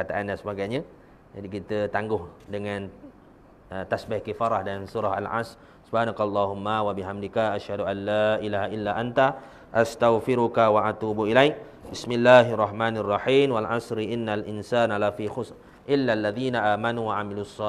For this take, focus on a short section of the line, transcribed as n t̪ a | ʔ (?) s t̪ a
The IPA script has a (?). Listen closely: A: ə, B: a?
B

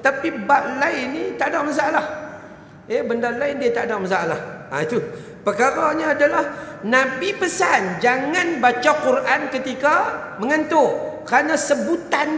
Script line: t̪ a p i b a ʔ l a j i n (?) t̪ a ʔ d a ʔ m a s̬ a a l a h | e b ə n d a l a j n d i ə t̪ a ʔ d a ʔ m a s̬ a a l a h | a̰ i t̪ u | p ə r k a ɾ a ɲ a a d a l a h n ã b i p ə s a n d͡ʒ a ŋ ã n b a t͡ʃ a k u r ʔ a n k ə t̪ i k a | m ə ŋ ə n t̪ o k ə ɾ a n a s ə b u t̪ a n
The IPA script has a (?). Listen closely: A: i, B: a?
A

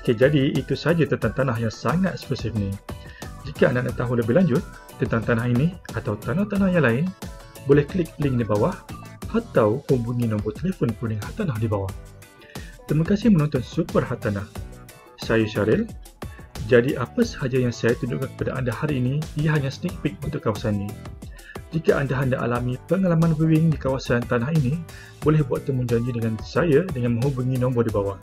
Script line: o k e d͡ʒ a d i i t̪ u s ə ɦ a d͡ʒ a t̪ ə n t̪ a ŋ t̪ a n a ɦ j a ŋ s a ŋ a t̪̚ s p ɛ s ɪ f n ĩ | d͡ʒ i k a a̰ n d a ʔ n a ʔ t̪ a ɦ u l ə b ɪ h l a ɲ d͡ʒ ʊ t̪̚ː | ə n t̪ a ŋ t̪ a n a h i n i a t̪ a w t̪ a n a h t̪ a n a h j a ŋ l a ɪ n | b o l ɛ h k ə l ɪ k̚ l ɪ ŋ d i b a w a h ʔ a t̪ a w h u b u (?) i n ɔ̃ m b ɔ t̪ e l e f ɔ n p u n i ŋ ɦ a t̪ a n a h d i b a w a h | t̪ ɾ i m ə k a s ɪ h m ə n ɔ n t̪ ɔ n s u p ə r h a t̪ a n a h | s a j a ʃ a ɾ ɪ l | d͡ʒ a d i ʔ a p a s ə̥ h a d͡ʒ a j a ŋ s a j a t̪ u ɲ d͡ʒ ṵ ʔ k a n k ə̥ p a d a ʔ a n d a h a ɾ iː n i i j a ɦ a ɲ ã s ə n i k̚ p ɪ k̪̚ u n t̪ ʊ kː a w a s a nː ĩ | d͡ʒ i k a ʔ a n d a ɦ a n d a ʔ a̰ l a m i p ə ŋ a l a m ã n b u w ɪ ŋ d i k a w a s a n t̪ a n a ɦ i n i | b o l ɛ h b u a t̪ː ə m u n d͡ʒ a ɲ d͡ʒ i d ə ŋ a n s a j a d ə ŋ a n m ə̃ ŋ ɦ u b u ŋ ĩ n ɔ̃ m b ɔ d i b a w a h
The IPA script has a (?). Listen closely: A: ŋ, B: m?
A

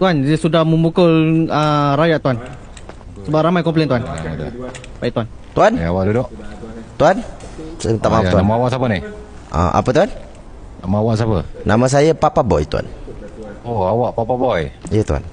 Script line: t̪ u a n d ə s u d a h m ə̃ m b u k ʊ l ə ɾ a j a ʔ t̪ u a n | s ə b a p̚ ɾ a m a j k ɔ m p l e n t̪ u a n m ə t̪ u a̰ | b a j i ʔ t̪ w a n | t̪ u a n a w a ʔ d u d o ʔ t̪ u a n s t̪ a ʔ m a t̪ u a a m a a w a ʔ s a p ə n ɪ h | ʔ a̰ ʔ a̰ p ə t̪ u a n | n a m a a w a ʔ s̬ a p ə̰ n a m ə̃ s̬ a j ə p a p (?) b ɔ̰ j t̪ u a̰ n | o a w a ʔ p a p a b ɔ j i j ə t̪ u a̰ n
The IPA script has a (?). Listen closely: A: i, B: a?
B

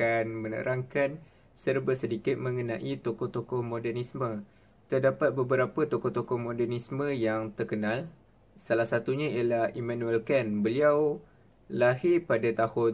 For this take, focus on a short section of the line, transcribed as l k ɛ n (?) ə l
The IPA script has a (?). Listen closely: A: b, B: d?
A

